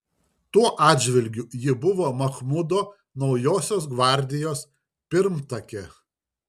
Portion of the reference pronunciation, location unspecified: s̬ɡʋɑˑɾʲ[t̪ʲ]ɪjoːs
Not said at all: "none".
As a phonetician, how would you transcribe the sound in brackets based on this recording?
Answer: d̪ʲ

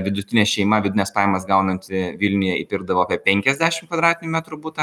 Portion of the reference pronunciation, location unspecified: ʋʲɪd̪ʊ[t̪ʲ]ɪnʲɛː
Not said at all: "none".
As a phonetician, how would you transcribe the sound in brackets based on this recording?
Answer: t̪ʲ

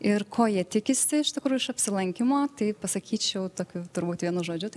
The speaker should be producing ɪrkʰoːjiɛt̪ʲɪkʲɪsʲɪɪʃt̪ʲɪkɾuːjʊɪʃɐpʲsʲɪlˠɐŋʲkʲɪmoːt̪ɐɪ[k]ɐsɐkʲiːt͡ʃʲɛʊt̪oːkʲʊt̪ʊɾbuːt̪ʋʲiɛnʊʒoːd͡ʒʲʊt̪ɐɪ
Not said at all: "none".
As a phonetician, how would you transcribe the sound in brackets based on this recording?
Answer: p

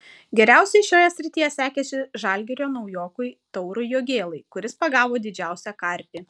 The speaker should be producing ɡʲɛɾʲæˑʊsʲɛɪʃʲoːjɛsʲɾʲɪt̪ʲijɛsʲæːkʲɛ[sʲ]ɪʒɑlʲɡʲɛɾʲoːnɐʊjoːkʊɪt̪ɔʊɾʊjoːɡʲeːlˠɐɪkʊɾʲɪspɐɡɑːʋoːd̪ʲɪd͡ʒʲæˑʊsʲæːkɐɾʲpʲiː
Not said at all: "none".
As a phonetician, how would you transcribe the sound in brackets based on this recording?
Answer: sʲ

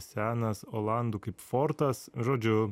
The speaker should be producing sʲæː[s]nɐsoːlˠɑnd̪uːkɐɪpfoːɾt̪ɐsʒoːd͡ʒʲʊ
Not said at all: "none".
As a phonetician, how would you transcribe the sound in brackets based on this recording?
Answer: none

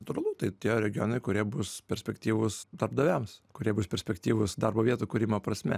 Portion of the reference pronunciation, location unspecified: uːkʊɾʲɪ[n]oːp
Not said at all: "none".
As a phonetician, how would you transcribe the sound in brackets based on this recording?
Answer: m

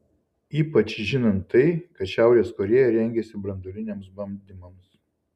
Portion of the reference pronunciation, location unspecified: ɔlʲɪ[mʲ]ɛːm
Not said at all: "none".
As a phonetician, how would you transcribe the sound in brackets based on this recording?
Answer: nʲ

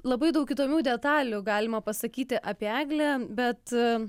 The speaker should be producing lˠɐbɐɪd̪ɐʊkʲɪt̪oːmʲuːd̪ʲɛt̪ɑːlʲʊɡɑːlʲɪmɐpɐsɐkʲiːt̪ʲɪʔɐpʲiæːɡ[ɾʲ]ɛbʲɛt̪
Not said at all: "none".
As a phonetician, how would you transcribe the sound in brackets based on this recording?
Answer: lʲ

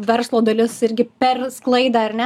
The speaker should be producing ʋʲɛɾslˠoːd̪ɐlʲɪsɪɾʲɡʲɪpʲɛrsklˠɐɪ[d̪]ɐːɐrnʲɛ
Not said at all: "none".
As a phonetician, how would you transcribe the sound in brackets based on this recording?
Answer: d̪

